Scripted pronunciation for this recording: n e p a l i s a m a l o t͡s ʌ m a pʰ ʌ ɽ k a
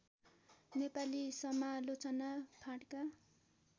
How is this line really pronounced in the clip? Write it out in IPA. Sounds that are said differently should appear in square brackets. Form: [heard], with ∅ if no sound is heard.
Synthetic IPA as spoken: n e p a l i s [ʌ] m a l o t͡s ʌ [n] a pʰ [a] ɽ k a